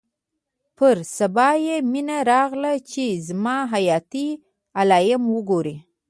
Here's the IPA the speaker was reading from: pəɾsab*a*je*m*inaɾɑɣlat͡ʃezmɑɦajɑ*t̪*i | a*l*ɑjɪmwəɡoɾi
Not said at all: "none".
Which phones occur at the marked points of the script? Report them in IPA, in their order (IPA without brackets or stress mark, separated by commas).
ɑ, m, t̪, l